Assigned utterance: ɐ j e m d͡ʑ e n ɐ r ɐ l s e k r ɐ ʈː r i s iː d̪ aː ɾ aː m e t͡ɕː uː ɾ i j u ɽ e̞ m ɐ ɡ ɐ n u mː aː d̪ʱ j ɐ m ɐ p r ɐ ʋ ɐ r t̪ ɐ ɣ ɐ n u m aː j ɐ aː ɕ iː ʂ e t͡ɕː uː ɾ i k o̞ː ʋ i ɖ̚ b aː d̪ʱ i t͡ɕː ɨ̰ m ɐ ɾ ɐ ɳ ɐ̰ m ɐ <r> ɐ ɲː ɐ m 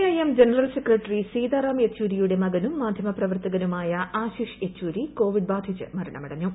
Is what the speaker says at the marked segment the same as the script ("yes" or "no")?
no